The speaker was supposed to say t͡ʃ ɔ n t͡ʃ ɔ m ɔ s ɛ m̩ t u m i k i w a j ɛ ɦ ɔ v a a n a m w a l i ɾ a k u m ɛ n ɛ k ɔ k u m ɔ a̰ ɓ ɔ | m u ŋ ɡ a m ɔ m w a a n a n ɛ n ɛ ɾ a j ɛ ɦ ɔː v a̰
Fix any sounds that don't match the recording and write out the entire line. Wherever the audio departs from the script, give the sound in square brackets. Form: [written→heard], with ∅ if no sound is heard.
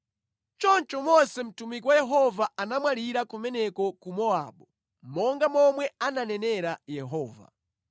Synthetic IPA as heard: t͡ʃ ɔ n t͡ʃ ɔ m ɔ s ɛ m̩ t u m i k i w a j ɛ ɦ ɔ v a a n a m w a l i ɾ a k u m ɛ n ɛ k ɔ k u m ɔ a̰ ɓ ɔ | m [u→ɔ] ŋ ɡ a m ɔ m w [a→ɛ] a n a n ɛ n ɛ ɾ a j ɛ ɦ ɔː v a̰